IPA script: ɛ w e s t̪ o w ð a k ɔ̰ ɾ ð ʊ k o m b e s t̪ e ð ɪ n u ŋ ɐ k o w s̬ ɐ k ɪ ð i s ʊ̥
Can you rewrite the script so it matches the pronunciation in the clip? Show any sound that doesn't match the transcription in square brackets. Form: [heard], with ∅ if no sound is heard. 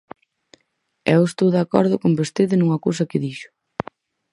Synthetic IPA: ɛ w e s t̪ o w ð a k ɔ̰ ɾ ð ʊ k o m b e s t̪ e ð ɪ n u ŋ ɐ k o w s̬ ɐ k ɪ ð i [ʃ] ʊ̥

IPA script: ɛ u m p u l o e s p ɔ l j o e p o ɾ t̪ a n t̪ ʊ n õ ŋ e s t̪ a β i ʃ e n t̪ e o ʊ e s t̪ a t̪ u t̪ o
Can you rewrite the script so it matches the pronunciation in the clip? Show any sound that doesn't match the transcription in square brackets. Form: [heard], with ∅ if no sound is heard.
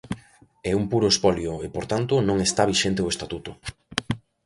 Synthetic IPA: ɛ u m p u [ɾ] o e s p ɔ l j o e p o ɾ t̪ a n t̪ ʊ n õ ŋ e s t̪ a β i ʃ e n t̪ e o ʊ e s t̪ a t̪ u t̪ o

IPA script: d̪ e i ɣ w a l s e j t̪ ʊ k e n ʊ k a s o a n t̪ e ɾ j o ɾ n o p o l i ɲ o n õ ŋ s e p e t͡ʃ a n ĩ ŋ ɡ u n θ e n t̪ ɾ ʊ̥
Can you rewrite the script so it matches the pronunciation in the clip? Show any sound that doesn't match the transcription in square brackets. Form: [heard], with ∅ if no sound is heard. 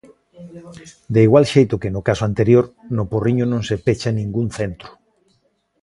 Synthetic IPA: d̪ e i ɣ w a l [ʃ] e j t̪ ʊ k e n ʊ k a s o a n t̪ e ɾ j o ɾ n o p o [r] i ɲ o n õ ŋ s e p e t͡ʃ a n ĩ ŋ ɡ u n θ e n t̪ ɾ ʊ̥

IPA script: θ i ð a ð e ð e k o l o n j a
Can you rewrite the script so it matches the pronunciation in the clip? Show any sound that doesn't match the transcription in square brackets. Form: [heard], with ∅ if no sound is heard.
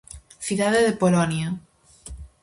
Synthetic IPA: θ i ð a ð e ð e [p] o l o n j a

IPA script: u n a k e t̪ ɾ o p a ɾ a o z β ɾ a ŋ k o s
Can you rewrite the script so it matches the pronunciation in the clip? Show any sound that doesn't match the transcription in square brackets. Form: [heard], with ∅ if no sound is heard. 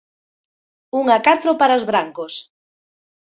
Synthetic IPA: u [ŋ] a k [a] t̪ ɾ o p a ɾ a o z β ɾ a ŋ k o s

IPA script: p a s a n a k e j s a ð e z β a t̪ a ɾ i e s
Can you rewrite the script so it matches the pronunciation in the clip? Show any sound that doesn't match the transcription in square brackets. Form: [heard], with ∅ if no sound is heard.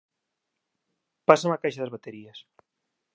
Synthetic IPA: p a s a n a k [a] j [ʃ] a ð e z β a t̪ [e] ɾ i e s

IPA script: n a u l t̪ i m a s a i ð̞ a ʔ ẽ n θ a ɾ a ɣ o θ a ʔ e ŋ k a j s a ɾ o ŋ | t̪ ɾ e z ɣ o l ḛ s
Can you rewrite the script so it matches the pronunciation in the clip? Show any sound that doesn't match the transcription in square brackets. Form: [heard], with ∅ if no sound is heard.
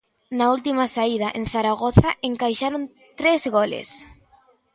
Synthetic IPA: n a u l t̪ i m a s a i ð̞ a ʔ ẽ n θ a ɾ a ɣ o θ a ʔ e ŋ k a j [ʃ] a ɾ o [n] | t̪ ɾ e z ɣ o l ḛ s

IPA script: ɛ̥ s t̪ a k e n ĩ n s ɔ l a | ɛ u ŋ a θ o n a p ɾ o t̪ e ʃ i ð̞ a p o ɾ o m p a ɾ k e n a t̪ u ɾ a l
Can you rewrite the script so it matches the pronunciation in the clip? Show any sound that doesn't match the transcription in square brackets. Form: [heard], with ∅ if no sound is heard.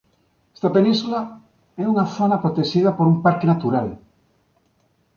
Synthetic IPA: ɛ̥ s t̪ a [p] e n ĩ n s [u] l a | ɛ u ŋ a θ o n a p ɾ o t̪ e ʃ i ð̞ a p o ɾ [u] m p a ɾ k e n a t̪ u ɾ a l

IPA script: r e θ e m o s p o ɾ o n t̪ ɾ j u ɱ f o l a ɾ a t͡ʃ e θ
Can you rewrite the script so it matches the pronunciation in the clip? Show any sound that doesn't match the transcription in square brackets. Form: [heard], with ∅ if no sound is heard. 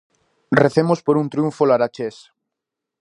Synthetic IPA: r e θ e m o s p o ɾ [u] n t̪ ɾ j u ɱ f o l a ɾ a t͡ʃ e [s]

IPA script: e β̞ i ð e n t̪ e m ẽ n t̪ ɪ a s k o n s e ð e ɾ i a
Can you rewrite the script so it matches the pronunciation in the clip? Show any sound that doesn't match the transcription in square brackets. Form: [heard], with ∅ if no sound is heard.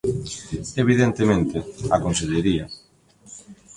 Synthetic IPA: e β̞ i ð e n t̪ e m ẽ n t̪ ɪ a [∅] k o n s e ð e ɾ i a

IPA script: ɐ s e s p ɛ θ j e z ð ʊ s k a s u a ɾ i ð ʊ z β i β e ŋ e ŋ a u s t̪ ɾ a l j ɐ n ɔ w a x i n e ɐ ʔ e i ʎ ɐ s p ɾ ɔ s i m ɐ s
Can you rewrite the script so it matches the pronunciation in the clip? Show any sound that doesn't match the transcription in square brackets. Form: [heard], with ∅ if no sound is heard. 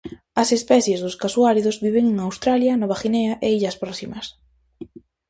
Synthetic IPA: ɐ s e s p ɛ θ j e z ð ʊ s k a s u a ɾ i ð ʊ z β i β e ŋ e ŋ a [w] s t̪ ɾ a l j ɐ n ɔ [β] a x i n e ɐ ʔ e i ʎ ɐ s p ɾ ɔ s i m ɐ s

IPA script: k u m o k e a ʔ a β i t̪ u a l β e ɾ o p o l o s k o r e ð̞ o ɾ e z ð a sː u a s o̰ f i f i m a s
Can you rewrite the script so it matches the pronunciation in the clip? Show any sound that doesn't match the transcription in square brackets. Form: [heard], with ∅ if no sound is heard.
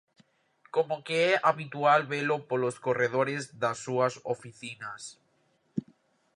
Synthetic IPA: k [o] m o k e [ɛ] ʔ a β i t̪ u a l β e [l] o p o l o s k o r e ð̞ o ɾ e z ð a sː u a s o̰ f i [θ] i [n] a s

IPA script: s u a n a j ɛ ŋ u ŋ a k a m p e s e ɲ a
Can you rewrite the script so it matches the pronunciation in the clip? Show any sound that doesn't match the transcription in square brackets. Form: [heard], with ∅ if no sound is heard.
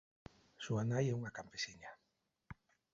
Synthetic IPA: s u a n a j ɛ [∅] u ŋ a k a m p e s [i] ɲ a

